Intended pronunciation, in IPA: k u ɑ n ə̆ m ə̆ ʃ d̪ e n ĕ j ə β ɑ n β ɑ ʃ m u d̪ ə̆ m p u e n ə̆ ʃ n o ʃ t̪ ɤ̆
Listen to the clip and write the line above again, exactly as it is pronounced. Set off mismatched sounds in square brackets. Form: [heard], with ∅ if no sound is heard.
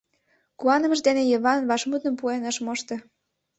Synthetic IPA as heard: k u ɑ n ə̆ m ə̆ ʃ d̪ e n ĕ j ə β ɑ n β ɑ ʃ m u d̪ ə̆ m p u e n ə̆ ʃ [m] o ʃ t̪ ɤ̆